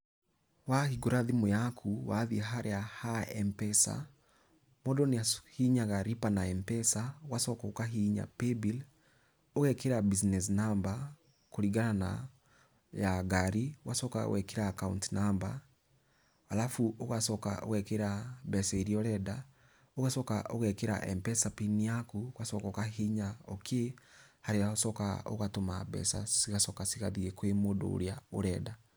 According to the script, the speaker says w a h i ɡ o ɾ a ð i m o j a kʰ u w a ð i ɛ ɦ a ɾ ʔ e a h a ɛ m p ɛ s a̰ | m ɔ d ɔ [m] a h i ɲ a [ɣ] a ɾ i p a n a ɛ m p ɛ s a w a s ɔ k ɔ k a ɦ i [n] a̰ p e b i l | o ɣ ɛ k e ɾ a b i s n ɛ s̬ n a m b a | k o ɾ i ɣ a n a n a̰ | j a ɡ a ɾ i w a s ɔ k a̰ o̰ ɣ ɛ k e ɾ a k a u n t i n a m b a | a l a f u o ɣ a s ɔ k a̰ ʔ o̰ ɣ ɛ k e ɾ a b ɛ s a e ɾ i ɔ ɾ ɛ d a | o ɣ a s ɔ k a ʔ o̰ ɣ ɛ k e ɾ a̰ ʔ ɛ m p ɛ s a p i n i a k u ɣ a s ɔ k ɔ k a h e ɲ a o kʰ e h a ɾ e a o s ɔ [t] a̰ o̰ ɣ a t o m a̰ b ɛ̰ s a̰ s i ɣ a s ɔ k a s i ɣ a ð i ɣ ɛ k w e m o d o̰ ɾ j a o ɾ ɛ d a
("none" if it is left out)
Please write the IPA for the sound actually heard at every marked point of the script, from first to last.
n, ɣ, ɲ, k

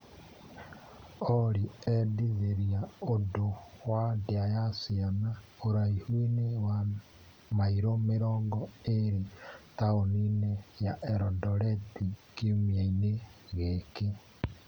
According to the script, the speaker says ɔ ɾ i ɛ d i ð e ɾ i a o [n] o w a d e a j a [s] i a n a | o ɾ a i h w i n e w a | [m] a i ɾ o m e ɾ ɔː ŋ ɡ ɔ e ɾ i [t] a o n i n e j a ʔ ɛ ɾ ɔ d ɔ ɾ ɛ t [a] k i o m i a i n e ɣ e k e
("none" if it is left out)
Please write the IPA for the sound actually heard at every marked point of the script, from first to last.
d, s, m, t, i

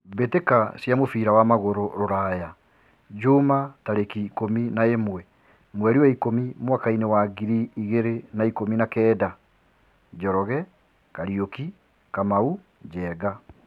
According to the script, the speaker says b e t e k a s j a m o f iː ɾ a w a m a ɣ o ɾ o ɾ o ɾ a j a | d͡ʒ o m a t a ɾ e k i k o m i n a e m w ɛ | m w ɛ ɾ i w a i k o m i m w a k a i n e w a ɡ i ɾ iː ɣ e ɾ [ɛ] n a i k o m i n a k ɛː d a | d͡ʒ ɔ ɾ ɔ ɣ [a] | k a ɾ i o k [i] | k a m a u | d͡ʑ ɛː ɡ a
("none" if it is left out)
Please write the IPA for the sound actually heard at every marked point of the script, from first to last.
e, ɛ, i

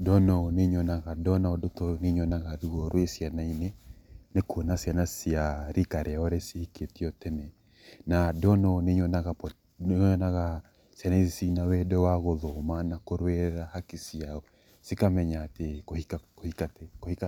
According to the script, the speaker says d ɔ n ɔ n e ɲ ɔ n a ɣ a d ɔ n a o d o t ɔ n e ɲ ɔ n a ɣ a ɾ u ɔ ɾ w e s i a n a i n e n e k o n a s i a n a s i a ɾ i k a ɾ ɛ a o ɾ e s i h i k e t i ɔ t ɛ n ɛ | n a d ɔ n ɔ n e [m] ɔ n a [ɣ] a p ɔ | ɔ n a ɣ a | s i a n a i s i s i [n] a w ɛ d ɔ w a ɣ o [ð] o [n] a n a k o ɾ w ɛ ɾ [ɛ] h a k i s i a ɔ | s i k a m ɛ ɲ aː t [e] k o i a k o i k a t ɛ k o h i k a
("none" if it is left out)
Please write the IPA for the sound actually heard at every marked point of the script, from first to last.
ɲ, ɣ, n, ð, m, a, e

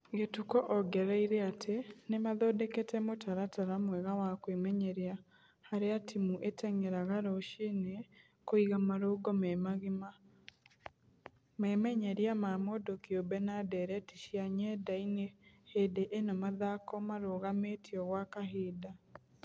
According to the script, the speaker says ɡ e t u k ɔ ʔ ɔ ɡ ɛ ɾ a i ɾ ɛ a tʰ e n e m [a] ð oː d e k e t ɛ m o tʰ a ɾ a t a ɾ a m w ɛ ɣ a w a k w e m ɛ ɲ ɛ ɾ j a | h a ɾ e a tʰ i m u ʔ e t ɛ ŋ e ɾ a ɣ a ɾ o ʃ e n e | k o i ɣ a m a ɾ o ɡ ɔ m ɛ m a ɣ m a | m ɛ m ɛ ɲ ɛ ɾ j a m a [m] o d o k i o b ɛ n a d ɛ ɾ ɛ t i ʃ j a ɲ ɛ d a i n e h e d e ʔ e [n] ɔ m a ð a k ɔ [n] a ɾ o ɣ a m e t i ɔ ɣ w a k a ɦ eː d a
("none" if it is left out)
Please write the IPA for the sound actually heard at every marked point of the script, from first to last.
a, m, n, m

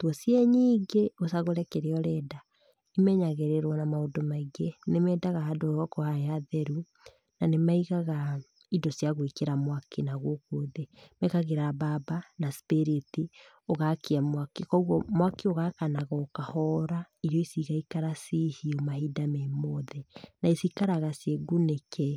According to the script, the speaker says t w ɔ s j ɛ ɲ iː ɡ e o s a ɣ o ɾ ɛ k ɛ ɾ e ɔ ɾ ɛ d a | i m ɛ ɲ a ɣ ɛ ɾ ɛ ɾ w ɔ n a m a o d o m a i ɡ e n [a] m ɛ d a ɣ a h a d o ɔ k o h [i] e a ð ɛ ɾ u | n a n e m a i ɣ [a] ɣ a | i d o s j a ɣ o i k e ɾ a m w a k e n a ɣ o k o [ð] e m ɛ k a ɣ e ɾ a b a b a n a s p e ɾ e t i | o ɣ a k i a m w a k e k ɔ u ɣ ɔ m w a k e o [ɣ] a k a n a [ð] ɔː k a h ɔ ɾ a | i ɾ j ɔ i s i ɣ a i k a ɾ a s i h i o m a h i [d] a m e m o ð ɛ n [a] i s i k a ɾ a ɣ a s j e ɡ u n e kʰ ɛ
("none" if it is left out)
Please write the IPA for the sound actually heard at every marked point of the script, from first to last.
e, a, a, ð, ɣ, ɣ, d, a

